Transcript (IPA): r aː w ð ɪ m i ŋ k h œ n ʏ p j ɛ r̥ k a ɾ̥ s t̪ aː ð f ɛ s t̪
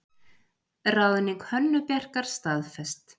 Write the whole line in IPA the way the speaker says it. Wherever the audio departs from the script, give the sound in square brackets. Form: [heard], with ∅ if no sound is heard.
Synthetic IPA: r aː w ð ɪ [n] i ŋ k h œ [nː] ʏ p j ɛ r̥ k a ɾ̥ s t̪ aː ð f ɛ s t̪

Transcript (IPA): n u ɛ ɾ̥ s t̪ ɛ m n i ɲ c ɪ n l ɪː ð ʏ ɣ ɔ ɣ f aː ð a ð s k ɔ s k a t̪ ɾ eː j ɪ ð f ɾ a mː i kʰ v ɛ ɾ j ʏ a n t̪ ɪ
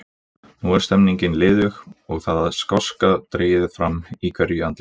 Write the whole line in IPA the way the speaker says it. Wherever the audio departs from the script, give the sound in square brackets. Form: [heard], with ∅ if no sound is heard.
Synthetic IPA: n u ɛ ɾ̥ s t̪ ɛ m n i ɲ c ɪ n l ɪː ð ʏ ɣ ɔ ɣ [θ] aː ð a ð s k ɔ s k a t̪ ɾ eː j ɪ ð f ɾ a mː i kʰ v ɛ ɾ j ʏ a n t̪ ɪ

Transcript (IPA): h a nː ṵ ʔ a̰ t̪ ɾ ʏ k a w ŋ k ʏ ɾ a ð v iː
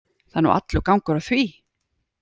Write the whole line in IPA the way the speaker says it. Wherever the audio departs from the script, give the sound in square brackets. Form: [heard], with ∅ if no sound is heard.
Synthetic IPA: [θ] a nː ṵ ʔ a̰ t̪ [l] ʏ k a w ŋ k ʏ ɾ a [θ] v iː

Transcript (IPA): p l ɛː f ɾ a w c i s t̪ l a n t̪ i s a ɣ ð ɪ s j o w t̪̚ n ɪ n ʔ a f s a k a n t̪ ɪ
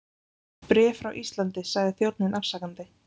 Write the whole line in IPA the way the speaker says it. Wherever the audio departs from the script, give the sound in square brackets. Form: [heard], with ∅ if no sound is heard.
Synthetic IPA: p [ɾ] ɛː f ɾ a w [ʔ] i s t̪ l a n t̪ [ɪ] s a ɣ ð ɪ [θ] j o w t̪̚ n ɪ n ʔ a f s a k a n t̪ ɪ

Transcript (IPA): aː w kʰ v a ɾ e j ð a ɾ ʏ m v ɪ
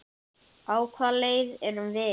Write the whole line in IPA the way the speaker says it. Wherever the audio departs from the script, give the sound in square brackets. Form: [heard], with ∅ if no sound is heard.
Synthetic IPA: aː w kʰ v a [l] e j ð [ɛ] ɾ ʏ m v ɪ

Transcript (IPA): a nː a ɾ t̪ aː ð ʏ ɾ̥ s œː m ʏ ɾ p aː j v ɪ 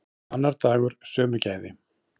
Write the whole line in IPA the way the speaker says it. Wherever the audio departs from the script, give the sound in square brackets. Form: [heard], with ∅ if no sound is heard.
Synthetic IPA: a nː a ɾ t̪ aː [ɣ] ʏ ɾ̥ s œː m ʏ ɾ [c] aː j [ð] ɪ

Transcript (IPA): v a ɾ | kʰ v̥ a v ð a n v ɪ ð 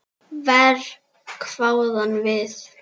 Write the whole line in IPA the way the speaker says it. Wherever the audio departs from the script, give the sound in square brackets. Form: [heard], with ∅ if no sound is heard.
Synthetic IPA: v [ɛ] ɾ | kʰ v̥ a [w] ð a n v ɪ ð

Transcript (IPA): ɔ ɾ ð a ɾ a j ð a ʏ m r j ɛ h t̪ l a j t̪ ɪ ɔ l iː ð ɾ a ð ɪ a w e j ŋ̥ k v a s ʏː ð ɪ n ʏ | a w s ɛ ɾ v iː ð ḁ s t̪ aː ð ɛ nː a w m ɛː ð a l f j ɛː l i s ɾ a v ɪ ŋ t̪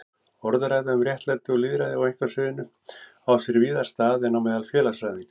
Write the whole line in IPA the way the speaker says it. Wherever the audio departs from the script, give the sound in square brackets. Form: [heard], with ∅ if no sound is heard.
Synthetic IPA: ɔ ɾ ð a ɾ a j ð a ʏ m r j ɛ h t̪ l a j t̪ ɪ ɔ l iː ð ɾ a ð ɪ a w e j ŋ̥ k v a s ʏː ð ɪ n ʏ | a w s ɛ ɾ v iː ð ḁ s t̪ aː ð ɛ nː a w m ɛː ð a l f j ɛː l [a] s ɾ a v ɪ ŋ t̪

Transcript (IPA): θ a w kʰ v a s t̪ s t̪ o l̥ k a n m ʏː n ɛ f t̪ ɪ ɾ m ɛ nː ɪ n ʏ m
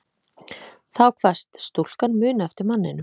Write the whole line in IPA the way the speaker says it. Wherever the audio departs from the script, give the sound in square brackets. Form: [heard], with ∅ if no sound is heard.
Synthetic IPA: θ a w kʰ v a s t̪ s t̪ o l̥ k a n m ʏː n ɛ f t̪ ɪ ɾ m [a] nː ɪ n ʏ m

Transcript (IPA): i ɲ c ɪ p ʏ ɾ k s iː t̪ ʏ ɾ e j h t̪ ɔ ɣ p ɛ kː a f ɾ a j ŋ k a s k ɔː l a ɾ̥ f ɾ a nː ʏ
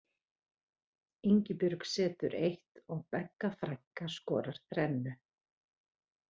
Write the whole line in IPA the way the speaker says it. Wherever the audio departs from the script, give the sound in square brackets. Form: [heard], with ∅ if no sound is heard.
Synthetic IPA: i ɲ c ɪ p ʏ ɾ k s [ɛː] t̪ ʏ ɾ e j h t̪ ɔ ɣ p ɛ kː a f ɾ a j ŋ k a s k ɔː [ɾ] a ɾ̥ [θ] ɾ [ɛ] nː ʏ

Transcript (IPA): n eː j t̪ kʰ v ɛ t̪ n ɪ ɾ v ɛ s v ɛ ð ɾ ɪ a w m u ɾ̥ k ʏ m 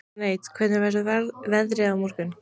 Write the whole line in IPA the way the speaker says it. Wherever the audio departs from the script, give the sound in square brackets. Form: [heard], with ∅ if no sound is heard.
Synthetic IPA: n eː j t̪ kʰ v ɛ t̪ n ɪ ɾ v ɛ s v ɛ ð ɾ ɪ a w m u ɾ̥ k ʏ [n]

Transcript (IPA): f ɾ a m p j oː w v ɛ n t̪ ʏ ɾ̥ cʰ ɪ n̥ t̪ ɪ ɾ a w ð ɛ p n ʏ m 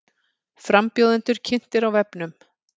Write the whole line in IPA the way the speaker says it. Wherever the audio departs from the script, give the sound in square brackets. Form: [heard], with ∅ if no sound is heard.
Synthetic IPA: f ɾ a m p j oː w [ð] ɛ n t̪ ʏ ɾ̥ cʰ ɪ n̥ t̪ ɪ ɾ a w [v] ɛ p n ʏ m

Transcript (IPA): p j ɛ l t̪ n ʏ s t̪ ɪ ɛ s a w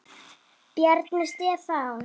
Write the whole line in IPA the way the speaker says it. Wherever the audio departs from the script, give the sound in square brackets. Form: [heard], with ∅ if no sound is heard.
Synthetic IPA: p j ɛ [ɾ] t̪ n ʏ s t̪ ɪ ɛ [θ] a w

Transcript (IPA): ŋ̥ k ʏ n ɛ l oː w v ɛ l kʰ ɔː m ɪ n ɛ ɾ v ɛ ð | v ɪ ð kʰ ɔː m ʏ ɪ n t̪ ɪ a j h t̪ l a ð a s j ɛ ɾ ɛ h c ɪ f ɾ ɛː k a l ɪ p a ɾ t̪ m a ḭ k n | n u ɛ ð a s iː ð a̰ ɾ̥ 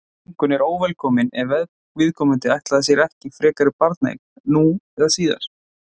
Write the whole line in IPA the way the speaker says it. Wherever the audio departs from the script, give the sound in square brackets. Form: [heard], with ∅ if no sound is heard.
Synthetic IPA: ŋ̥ k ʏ n ɛ [ɾ] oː w v ɛ l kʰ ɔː m ɪ n ɛ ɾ v ɛ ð | v ɪ ð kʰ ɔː m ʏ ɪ n t̪ ɪ a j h t̪ l a ð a s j ɛ ɾ ɛ h c ɪ f ɾ ɛː k a [ɾ] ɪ p a ɾ t̪ [n] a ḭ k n | n u ɛ ð a s iː ð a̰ ɾ̥

